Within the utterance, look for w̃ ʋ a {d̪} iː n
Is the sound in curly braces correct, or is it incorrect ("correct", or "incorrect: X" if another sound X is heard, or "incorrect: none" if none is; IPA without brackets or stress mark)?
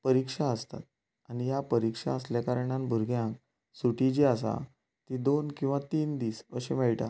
incorrect: t̪